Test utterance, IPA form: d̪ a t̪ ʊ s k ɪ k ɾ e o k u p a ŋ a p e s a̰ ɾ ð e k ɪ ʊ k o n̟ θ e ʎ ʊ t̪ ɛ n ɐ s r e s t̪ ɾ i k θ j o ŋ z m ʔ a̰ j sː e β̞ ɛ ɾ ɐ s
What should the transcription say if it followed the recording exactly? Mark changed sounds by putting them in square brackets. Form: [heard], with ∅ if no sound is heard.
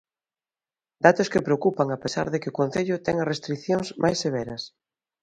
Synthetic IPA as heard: d̪ a t̪ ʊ s k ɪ [p] ɾ e o k u p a ŋ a p e s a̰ ɾ ð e k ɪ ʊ k o n̟ θ e ʎ ʊ t̪ ɛ [ŋ] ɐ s r e s t̪ ɾ i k θ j o ŋ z m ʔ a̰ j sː e β̞ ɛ ɾ ɐ s